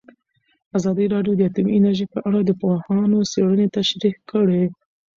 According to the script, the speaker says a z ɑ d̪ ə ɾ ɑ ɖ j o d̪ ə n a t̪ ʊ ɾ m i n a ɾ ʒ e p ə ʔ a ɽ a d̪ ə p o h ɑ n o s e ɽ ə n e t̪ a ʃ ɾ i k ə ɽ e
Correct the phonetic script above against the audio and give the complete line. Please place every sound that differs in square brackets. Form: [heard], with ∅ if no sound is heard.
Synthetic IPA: a z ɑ d̪ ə ɾ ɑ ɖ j o d̪ ə [∅] a t̪ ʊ [∅] m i n a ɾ ʒ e p ə ʔ a ɽ a d̪ ə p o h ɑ n o s e ɽ ə n e t̪ a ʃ ɾ i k ə ɽ e